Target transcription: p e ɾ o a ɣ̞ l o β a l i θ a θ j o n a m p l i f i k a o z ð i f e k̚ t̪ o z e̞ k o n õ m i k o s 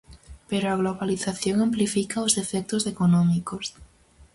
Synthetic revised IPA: p e ɾ o a ɣ̞ l o β a l i θ a θ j o ŋ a m p l i f i k a o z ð e f e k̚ t̪ o z e̞ k o n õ m i k o s